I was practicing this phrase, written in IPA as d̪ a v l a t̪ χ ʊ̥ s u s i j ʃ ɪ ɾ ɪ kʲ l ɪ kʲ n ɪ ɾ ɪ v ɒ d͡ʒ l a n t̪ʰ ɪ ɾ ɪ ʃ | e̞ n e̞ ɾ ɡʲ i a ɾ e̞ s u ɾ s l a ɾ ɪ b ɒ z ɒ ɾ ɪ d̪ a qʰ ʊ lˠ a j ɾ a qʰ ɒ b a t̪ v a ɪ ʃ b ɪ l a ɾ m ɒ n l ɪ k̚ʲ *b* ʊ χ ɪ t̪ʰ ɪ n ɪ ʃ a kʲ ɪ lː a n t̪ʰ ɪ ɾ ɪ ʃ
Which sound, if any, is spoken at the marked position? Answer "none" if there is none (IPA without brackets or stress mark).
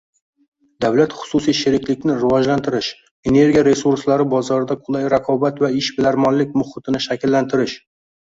m